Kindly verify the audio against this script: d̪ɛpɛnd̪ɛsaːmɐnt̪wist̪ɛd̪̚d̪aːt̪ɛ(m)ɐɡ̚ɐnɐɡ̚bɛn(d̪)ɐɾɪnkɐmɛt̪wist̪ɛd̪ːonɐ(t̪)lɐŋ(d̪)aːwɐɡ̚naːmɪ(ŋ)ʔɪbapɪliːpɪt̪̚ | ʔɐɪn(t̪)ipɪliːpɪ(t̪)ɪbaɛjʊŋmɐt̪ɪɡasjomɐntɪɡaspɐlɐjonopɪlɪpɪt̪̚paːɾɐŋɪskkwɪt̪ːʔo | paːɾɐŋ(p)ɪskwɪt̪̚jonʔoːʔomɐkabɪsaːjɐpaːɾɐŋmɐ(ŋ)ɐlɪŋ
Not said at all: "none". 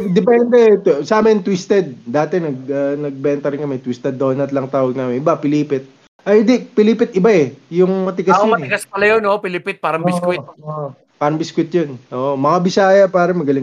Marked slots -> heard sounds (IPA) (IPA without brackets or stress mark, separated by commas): n, t̪, t̪, t̪, n, d̪, t̪, b, ɡ